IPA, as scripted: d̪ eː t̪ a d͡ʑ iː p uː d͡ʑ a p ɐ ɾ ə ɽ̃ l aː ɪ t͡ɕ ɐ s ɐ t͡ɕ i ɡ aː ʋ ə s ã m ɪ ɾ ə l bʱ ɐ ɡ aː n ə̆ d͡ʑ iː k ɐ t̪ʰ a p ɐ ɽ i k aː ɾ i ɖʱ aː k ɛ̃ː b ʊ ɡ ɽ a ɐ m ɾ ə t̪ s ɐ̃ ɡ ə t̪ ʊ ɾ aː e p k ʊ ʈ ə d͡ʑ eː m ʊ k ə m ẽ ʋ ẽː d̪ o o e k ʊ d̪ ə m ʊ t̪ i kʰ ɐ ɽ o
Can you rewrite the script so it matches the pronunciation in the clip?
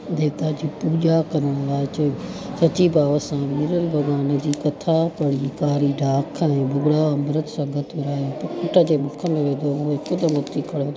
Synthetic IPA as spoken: d̪ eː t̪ a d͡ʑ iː p uː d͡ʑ a k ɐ ɾ ə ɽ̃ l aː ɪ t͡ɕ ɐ s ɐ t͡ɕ i b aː ʋ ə s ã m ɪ ɾ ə l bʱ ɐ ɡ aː n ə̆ d͡ʑ iː k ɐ t̪ʰ a p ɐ ɽ i k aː ɾ i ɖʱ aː kʰ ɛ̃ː b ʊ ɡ ɽ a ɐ m ɾ ə t̪ s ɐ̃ ɡ ə t̪ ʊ ɾ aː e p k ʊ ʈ ə d͡ʑ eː m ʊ kʰ ə m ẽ ʋ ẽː d̪ o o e k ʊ d̪ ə m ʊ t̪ i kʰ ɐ ɽ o